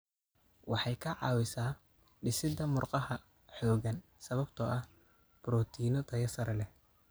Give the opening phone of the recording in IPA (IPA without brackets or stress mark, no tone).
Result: w